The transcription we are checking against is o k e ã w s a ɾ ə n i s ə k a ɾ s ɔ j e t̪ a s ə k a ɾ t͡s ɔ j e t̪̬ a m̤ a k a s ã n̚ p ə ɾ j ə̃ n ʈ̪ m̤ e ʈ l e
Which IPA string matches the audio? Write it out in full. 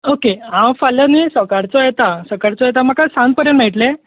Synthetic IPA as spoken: o k e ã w f a l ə n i s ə k a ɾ t͡s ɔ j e t̪ a s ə k a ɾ t͡s ɔ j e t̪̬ a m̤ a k a s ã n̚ p ə ɾ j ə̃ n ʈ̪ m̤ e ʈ l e